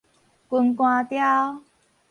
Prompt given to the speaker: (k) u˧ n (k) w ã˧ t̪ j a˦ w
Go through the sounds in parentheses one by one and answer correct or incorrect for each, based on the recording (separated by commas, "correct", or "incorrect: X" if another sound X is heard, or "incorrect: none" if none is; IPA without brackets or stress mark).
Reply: correct, correct